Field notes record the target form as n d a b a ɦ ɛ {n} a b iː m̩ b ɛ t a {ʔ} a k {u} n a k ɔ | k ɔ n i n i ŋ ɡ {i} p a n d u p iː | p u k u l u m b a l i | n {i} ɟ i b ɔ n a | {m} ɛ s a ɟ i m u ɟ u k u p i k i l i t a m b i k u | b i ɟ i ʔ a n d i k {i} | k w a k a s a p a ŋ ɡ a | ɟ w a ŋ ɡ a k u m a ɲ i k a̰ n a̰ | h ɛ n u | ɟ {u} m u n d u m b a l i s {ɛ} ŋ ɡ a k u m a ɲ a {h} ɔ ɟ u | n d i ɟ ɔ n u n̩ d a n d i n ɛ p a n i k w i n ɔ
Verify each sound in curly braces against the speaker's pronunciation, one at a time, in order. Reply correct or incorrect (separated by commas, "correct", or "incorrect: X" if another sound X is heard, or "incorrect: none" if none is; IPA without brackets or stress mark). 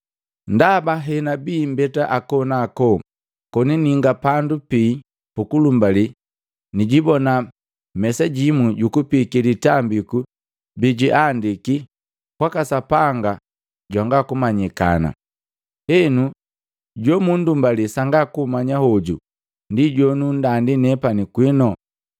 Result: correct, correct, incorrect: ɔ, incorrect: a, correct, correct, correct, incorrect: ɔ, incorrect: a, correct